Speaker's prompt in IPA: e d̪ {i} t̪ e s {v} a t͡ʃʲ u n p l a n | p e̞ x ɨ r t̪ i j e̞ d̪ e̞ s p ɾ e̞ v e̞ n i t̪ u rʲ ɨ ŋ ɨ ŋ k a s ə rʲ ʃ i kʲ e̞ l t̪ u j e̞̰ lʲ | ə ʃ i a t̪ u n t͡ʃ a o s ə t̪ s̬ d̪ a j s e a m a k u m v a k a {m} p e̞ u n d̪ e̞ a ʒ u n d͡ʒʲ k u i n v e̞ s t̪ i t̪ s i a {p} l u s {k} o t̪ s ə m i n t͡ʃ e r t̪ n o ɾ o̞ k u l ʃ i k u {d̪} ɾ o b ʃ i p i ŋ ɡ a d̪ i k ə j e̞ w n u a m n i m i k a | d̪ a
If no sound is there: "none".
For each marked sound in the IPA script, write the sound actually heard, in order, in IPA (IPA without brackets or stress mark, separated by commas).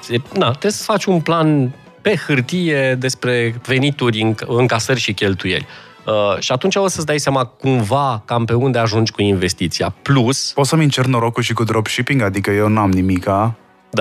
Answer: a, f, m, p, p, d̪